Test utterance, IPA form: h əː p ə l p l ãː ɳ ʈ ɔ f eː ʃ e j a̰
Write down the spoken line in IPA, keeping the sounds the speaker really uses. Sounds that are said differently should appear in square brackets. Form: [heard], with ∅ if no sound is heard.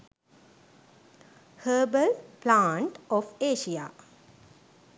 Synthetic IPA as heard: h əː [b] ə l p l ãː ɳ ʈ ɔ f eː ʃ [i] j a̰